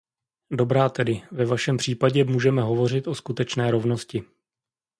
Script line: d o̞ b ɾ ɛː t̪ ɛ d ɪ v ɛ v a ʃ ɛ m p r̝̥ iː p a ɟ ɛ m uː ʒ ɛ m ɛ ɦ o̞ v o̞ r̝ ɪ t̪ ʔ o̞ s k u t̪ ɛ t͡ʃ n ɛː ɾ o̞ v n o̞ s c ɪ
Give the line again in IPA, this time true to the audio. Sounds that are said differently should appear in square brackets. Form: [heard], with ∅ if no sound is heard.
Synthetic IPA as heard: d o̞ b ɾ [aː] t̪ ɛ d ɪ v ɛ v a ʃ ɛ m p r̝̥ iː p a ɟ ɛ m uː ʒ ɛ m ɛ ɦ o̞ v o̞ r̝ ɪ t̪ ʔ o̞ s k u t̪ ɛ t͡ʃ n ɛː ɾ o̞ v n o̞ s c ɪ